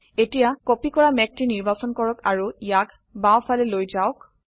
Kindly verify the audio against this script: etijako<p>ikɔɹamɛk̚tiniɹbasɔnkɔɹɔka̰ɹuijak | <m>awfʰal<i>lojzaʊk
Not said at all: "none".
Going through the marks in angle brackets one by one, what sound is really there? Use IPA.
p, b, ɛ

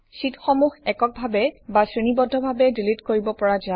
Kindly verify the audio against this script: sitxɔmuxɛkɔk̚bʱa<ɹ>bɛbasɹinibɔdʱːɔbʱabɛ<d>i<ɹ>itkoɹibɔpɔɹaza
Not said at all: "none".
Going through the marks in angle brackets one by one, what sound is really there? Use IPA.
none, d, l

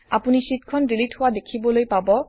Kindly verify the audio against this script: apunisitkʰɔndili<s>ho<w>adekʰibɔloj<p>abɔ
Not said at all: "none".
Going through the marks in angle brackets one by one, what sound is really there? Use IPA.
t, w, p

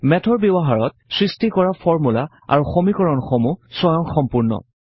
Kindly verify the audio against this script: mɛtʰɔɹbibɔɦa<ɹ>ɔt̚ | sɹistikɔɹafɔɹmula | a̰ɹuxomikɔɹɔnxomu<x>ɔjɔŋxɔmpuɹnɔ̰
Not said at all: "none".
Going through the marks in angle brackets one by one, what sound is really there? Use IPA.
ɹ, s

